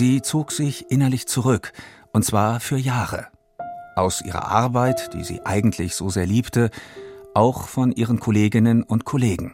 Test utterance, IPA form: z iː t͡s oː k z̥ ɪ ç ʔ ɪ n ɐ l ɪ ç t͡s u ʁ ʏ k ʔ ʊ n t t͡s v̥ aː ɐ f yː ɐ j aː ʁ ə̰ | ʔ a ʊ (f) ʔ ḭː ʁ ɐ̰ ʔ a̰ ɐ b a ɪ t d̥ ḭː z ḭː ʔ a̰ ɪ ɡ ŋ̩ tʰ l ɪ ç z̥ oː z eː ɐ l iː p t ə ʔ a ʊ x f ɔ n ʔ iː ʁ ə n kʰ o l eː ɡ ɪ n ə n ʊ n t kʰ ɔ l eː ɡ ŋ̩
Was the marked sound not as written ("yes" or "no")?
yes